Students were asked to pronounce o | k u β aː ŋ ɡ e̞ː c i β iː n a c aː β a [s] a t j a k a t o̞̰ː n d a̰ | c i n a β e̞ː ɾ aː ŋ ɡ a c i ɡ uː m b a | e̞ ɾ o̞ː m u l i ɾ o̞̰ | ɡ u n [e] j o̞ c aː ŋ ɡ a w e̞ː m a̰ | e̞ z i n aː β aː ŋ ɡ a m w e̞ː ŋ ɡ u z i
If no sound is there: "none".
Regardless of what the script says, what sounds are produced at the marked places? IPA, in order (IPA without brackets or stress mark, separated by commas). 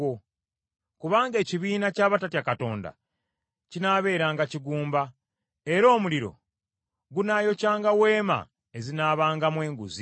t, a